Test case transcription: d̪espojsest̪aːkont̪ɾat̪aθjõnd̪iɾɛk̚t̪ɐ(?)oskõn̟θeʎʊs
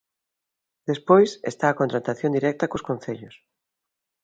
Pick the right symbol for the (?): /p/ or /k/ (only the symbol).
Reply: k